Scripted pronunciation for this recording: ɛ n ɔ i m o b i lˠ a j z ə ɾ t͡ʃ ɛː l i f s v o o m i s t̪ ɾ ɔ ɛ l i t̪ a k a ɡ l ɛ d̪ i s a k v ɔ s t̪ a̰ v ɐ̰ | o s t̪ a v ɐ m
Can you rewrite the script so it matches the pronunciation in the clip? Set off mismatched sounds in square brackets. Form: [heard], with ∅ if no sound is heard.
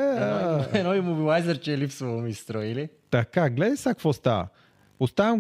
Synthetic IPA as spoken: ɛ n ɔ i m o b i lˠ a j z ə ɾ t͡ʃ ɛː l i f s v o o m i s t̪ ɾ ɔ [i] l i t̪ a k a ɡ l ɛ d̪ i s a k v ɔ s t̪ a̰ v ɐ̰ | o s t̪ a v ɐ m